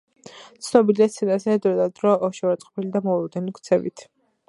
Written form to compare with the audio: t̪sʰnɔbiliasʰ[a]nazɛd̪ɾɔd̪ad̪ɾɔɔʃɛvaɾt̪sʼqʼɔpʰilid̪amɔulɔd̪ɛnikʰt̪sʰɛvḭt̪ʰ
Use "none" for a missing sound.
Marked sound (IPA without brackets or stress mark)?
ɛ